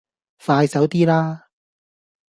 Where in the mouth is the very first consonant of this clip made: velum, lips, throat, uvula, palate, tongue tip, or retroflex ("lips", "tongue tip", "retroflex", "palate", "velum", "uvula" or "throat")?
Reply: lips